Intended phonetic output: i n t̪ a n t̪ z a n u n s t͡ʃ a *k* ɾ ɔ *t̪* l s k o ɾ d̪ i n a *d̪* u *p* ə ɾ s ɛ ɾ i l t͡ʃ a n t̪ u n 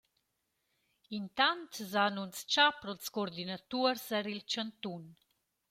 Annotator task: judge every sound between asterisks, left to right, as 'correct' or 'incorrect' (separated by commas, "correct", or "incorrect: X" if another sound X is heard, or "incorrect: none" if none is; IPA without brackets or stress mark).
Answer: incorrect: p, incorrect: none, incorrect: t̪, incorrect: none